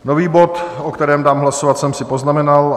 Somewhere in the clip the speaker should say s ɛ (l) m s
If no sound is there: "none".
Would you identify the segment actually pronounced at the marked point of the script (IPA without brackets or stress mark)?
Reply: none